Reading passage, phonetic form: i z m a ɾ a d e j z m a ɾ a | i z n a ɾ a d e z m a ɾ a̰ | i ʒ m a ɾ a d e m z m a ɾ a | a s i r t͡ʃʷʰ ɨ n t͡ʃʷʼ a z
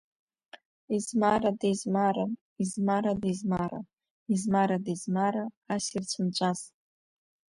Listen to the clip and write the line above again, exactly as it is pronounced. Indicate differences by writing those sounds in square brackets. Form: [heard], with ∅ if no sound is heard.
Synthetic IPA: i z m a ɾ a d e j z m a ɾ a | i z [m] a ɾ a d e z m a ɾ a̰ | i [z] m a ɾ a d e [∅] z m a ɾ a | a s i r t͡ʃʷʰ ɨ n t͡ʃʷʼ a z